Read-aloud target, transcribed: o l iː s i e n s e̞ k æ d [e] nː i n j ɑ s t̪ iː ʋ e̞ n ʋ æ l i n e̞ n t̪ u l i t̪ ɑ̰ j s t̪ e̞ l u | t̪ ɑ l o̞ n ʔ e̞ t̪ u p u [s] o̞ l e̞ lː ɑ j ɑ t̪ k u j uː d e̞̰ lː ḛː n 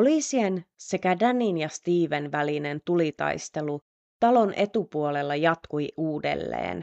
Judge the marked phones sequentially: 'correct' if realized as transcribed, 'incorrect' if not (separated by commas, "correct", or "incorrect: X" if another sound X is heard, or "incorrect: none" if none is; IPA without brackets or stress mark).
incorrect: æ, incorrect: none